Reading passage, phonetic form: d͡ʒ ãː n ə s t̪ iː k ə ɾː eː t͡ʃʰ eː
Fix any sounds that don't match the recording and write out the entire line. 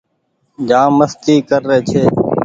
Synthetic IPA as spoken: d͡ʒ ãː m ə s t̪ iː k ə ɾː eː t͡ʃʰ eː